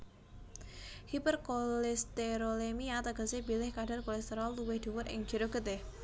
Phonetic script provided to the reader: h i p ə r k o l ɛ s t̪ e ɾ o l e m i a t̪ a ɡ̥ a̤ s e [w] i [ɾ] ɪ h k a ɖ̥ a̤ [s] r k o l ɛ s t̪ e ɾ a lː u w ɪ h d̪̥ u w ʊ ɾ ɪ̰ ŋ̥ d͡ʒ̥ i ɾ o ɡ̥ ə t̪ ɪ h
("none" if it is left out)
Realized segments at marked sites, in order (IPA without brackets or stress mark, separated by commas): b, l, none